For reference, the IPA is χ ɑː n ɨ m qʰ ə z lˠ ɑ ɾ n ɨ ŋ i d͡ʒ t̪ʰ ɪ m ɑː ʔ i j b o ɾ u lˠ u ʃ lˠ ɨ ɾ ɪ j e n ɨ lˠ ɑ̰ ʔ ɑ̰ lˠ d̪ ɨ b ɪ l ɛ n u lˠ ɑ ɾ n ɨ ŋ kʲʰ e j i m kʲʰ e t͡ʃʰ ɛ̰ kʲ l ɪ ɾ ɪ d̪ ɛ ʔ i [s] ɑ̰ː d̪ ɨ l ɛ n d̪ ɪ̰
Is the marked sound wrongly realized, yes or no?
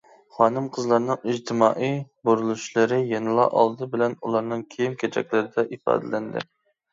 yes